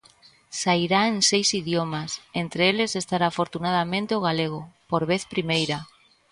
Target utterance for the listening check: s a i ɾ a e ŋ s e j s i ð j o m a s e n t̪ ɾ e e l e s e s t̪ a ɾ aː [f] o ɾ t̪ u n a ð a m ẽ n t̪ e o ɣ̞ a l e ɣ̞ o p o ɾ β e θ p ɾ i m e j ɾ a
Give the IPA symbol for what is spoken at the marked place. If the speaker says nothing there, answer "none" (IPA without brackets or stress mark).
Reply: f